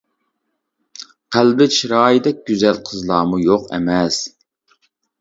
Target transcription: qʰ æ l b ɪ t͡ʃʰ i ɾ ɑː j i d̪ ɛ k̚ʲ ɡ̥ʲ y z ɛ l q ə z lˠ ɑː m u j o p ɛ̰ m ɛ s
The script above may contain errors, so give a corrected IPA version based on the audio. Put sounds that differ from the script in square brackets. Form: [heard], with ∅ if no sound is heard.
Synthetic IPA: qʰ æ l b ɪ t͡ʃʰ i ɾ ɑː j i d̪ ɛ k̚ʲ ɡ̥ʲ y z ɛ l [qʰ] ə z lˠ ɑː m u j o [q] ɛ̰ m ɛ s